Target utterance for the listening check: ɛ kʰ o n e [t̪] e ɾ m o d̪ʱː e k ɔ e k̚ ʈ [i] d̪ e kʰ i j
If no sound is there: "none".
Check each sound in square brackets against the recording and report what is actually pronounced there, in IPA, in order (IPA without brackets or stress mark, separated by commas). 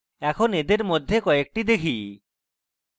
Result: d̪, i